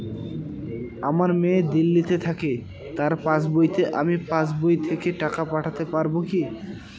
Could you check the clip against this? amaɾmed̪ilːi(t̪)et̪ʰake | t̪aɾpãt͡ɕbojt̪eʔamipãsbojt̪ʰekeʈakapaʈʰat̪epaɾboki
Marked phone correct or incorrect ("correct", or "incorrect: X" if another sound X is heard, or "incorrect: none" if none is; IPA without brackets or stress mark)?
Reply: correct